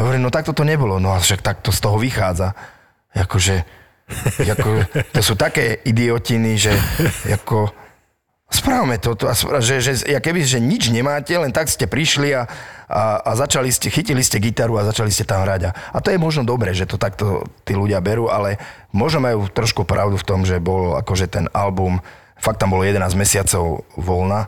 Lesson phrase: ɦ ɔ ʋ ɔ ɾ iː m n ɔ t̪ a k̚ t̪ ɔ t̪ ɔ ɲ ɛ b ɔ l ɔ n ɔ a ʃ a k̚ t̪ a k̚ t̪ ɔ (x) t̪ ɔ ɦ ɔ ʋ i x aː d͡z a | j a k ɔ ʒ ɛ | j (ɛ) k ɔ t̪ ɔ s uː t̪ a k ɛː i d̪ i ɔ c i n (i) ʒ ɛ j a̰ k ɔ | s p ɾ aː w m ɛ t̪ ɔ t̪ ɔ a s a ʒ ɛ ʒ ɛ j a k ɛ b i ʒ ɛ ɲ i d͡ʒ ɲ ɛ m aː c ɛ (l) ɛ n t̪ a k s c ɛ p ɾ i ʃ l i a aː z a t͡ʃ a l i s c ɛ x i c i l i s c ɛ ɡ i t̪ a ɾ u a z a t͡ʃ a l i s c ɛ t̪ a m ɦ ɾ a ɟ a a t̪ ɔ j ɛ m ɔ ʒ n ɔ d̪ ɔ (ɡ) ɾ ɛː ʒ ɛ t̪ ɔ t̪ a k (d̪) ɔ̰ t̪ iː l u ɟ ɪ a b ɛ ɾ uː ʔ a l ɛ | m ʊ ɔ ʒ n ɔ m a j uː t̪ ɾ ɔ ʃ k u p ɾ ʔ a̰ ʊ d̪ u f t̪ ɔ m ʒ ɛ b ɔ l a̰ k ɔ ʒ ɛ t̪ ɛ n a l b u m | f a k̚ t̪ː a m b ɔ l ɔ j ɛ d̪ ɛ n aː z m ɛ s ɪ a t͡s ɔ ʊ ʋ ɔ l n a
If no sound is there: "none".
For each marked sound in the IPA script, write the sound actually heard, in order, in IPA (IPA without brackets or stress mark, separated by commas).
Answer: s, a, i, l, b, t̪